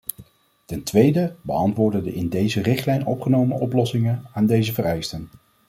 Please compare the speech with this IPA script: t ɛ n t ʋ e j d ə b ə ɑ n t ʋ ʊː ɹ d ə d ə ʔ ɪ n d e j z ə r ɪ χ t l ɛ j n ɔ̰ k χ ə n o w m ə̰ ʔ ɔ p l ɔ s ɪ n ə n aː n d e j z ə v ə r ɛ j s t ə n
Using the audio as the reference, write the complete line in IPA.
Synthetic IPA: t ɛ n t ʋ e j d ə b ə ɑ n t ʋ ʊː ɹ d ə d ə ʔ ɪ n d e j z ə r ɪ χ t l ɛ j n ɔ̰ p χ ə n o w m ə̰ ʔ ɔ p l ɔ s ɪ ŋ ə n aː n d e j z ə v ə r ɛ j s t ə n